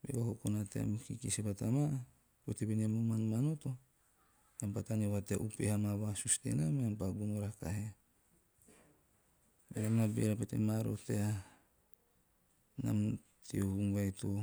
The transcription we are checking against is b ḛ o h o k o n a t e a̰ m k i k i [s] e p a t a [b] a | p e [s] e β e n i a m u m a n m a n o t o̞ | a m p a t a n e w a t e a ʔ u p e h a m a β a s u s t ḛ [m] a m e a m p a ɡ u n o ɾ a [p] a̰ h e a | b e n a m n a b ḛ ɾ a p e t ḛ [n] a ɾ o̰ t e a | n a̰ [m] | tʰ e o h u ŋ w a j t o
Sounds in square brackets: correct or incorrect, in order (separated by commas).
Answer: correct, incorrect, incorrect, incorrect, incorrect, incorrect, correct